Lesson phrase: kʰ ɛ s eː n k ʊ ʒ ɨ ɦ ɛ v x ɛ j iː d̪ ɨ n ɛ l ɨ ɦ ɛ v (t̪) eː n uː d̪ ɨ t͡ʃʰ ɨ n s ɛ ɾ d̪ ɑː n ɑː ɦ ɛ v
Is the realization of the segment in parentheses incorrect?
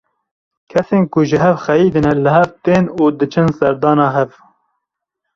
no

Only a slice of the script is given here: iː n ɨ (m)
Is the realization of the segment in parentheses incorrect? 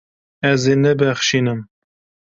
no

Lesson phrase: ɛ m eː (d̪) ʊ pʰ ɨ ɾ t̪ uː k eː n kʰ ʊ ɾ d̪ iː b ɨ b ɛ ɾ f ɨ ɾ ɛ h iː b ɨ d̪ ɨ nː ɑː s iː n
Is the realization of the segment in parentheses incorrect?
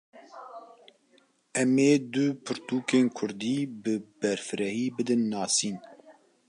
no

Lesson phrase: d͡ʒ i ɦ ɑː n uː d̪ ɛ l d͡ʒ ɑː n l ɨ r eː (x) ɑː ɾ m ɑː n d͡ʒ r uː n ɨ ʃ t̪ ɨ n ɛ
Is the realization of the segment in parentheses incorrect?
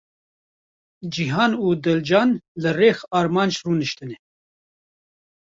no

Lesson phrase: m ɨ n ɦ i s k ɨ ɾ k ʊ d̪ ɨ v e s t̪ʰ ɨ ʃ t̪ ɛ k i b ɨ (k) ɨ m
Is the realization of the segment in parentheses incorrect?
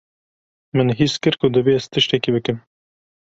no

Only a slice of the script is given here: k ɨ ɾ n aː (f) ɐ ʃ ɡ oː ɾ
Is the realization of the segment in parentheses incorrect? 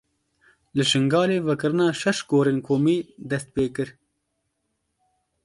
yes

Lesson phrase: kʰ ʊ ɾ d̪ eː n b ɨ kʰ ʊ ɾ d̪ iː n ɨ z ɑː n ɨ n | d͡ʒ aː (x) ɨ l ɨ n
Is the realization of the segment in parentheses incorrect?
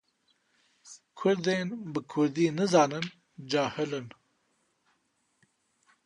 yes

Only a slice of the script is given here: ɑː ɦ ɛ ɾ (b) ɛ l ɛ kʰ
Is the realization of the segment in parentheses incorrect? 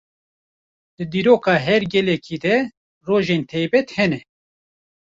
yes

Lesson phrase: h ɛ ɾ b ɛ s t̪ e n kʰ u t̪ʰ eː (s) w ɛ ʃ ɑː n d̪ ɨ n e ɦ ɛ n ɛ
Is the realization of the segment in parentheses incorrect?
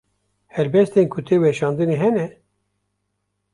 yes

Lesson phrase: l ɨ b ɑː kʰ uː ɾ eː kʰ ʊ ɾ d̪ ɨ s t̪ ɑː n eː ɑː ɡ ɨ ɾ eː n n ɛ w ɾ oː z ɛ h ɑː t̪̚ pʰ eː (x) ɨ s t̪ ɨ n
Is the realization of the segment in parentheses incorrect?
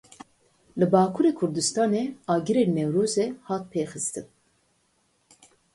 no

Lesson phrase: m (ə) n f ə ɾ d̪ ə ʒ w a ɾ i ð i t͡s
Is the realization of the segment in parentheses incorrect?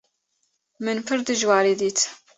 no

